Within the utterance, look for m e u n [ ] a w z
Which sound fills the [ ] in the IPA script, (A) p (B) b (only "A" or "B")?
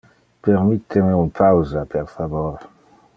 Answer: A